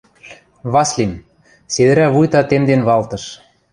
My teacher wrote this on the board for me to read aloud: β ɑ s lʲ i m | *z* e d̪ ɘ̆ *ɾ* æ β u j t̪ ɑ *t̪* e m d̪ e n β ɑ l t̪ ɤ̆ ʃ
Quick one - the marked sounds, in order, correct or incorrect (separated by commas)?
incorrect, correct, correct